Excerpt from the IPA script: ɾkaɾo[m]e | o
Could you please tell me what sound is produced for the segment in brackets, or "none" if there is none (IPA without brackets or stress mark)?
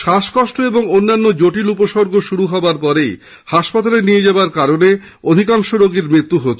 n